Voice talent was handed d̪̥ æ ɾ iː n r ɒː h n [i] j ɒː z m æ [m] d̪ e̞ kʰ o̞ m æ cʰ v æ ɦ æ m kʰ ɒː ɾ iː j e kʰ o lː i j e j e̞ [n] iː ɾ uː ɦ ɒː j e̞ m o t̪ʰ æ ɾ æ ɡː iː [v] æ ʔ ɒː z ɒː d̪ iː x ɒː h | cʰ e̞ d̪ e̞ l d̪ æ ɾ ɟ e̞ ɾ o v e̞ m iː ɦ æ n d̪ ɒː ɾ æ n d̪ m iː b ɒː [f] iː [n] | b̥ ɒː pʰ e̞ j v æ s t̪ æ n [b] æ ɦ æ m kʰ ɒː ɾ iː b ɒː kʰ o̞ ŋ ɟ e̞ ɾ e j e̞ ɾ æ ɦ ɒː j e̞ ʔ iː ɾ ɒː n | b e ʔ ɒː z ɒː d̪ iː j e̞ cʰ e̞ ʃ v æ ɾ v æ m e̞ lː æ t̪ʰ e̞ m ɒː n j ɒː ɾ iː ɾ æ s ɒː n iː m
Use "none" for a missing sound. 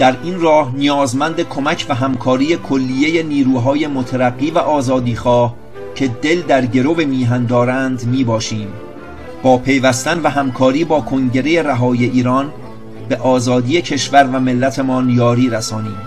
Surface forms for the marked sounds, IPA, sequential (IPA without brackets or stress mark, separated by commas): i, n, n, v, ʃ, m, v